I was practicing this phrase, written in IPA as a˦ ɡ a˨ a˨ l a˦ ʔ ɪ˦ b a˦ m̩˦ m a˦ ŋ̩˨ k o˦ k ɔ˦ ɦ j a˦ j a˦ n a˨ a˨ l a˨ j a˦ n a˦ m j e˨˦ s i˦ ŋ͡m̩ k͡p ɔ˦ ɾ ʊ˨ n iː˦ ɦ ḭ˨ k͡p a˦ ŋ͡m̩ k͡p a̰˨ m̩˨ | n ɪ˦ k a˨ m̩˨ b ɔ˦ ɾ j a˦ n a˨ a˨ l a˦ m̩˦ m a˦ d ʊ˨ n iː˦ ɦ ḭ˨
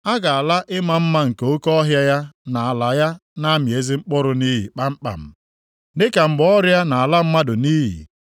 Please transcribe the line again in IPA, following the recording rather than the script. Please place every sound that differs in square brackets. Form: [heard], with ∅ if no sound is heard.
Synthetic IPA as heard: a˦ ɡ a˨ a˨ l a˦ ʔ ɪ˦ [m] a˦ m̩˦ m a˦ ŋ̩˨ k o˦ k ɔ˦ ɦ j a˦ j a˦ n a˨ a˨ l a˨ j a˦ n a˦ m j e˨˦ [z] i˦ ŋ͡m̩ k͡p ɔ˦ ɾ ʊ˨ n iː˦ ɦ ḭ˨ k͡p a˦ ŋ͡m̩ k͡p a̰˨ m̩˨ | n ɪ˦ k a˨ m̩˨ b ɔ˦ ɾ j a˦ n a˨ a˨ l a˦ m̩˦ m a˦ d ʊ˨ n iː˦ ɦ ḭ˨